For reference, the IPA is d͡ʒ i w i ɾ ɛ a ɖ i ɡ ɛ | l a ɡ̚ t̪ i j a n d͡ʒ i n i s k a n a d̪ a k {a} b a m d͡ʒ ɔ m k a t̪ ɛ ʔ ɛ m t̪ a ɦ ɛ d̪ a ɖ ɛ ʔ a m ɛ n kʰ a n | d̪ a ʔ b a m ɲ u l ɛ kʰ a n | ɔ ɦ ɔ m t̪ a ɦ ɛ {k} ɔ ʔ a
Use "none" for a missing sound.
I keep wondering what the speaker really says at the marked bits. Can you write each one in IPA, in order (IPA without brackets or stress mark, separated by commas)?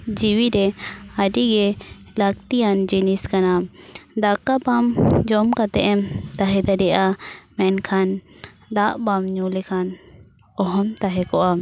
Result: a, k